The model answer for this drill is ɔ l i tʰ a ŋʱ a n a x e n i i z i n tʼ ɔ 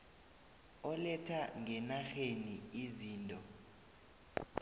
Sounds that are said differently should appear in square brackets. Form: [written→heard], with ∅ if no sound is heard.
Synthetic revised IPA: ɔ l [i→ɛ] tʰ a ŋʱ [a→ɛ] n a x e n i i z [i→iː] n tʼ ɔ